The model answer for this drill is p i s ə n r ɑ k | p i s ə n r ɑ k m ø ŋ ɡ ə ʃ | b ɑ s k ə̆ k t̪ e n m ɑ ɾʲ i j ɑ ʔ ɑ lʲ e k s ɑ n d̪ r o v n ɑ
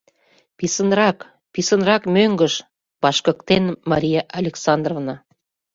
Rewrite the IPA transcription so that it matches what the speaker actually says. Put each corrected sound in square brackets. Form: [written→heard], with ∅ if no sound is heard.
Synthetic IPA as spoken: p i s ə n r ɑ k | p i s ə n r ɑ k m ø ŋ ɡ ə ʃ | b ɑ [s→ʃ] k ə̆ k t̪ e n m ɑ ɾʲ i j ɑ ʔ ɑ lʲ e k s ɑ n d̪ r o v n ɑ